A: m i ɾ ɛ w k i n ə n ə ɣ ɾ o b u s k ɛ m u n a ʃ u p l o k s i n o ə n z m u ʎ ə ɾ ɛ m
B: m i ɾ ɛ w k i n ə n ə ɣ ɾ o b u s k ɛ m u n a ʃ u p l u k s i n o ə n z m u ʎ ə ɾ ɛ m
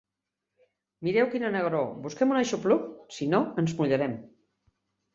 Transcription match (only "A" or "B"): B